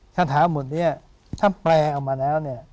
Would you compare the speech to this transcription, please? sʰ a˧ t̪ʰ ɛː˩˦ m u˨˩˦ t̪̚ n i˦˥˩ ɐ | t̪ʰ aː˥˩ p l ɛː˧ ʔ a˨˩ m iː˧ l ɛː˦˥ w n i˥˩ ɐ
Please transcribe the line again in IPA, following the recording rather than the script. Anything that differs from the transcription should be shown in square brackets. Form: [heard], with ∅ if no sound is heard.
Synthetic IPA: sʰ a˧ t̪ʰ [aː˩˦] m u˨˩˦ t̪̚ n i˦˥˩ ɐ | t̪ʰ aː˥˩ p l ɛː˧ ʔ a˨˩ m [aː˧] l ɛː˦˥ w n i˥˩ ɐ